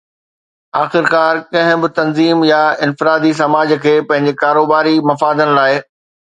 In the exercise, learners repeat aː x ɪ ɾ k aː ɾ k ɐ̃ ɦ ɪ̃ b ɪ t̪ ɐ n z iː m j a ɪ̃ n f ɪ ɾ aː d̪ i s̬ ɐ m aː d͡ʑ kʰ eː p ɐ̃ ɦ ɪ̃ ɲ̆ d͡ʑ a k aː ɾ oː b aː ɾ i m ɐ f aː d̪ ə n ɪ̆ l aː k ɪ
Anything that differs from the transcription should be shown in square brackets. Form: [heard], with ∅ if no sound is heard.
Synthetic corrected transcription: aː x ɪ ɾ k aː ɾ k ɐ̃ ɦ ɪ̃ b ɪ t̪ ɐ n z iː m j a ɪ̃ n f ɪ ɾ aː d̪ i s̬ ɐ m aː d͡ʑ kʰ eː p ɐ̃ ɦ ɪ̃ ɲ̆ d͡ʑ [e] k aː ɾ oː b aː ɾ i m ɐ f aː d̪ ə n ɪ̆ l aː [∅] ɪ

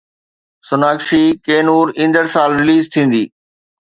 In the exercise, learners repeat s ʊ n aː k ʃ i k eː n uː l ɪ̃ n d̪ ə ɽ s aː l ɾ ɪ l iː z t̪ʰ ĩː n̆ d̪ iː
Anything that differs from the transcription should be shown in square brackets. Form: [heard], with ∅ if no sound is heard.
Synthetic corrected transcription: s ʊ n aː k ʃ i k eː n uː [ɾ] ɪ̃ n d̪ ə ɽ s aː l ɾ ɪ l iː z t̪ʰ ĩː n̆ d̪ iː

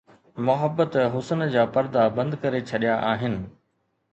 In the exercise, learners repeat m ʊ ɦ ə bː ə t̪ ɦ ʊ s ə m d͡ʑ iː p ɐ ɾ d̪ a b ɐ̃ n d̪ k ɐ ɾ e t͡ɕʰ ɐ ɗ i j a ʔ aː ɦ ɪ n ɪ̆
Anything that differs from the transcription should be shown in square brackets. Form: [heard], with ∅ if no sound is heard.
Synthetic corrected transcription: m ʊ ɦ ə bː ə t̪ ɦ ʊ s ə [n] d͡ʑ [aː] p ɐ ɾ d̪ a b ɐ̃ n d̪ k ɐ ɾ e t͡ɕʰ ɐ ɗ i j a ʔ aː ɦ ɪ n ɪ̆

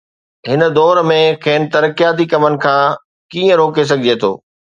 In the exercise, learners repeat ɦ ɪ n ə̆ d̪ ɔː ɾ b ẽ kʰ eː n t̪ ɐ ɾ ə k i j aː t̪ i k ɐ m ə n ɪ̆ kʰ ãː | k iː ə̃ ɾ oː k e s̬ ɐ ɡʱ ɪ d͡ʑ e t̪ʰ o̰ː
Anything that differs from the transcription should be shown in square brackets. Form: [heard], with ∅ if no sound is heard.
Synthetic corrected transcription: ɦ ɪ n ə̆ d̪ ɔː ɾ [m] ẽ kʰ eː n t̪ ɐ ɾ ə k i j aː t̪ i k ɐ m ə n ɪ̆ kʰ ãː | k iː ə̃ ɾ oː k e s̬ ɐ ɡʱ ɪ d͡ʑ e t̪ʰ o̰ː

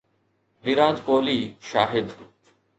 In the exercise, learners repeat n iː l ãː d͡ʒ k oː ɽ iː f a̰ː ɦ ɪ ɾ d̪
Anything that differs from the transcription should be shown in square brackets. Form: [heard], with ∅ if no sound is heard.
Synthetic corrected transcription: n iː [ɾ] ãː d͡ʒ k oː [l] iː [ʃ] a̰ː ɦ ɪ [∅] d̪

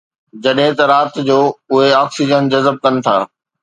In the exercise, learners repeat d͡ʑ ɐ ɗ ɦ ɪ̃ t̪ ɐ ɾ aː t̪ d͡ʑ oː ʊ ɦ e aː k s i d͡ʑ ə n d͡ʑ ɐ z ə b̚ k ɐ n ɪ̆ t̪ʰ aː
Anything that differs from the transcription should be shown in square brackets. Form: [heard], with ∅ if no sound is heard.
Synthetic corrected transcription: d͡ʑ ɐ ɗ ɦ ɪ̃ t̪ ɐ ɾ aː t̪ d͡ʑ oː ʊ ɦ e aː k s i d͡ʑ ə n d͡ʑ ɐ z ə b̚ k ɐ n ɪ̆ t̪ʰ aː

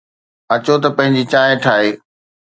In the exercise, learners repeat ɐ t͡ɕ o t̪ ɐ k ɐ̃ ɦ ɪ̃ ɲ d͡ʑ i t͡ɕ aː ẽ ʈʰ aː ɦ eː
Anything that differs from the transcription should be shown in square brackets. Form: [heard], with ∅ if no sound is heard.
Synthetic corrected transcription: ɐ t͡ɕ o t̪ ɐ [p] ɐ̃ ɦ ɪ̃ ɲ d͡ʑ i t͡ɕ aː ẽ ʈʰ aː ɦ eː

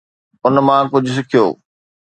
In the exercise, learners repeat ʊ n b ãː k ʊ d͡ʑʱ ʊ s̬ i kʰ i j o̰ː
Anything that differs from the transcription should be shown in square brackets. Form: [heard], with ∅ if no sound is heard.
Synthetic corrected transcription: ʊ n [m] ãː k ʊ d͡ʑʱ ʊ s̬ [ɪ] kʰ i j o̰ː

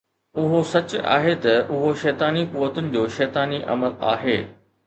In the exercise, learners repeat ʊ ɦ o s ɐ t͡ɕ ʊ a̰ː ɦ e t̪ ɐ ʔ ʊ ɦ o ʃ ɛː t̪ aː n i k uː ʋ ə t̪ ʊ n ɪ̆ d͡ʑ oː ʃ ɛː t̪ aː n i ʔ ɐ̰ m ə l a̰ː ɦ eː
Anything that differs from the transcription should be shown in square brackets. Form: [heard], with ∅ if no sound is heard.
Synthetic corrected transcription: ʊ ɦ o s ɐ t͡ɕ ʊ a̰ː ɦ e t̪ ɐ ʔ ʊ ɦ o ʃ ɛː t̪ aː n i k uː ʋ ə t̪ ʊ n ɪ̆ d͡ʑ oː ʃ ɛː t̪ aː n i ʔ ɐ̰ m ə l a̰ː ɦ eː

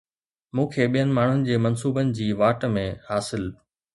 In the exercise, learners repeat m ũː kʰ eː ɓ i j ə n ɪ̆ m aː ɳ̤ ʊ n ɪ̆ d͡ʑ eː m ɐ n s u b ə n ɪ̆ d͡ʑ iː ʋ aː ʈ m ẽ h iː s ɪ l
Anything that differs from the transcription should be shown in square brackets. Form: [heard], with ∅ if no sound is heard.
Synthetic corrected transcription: m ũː kʰ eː ɓ i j ə n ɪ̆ m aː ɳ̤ ʊ n ɪ̆ d͡ʑ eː m ɐ n s [uː] b ə n ɪ̆ d͡ʑ iː ʋ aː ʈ m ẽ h [aː] s ɪ l

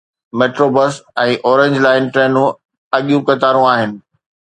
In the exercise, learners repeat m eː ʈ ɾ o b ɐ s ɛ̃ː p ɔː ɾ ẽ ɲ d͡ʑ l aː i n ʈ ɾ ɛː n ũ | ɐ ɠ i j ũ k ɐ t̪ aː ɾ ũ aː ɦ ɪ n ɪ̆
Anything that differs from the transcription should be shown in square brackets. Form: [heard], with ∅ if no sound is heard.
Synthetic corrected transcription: m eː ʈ ɾ o b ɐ s ɛ̃ː [ʔ] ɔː ɾ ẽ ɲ d͡ʑ l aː [ɪ] n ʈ ɾ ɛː n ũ | ɐ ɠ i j ũ k ɐ t̪ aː ɾ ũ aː ɦ ɪ n ɪ̆

